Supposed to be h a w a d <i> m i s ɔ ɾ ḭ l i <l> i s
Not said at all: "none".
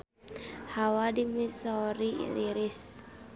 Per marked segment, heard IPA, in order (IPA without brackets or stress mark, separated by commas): i, ɾ